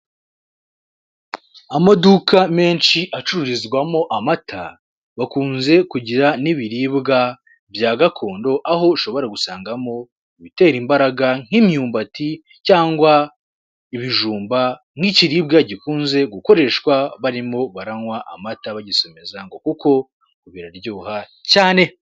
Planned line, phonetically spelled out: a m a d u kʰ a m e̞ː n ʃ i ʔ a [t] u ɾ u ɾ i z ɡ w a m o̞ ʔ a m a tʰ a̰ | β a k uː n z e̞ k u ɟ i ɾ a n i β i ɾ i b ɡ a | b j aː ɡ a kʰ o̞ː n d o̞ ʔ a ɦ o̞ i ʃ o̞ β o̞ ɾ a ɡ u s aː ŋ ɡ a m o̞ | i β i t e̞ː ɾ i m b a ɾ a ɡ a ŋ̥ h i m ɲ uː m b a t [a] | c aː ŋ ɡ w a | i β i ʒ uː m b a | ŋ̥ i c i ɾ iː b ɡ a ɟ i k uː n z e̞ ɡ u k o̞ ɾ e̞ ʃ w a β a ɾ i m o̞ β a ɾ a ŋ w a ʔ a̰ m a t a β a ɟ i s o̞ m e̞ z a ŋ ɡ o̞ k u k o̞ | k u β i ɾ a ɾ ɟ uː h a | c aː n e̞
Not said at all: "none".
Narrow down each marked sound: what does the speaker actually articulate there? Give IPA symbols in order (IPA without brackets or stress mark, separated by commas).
t͡ʃ, i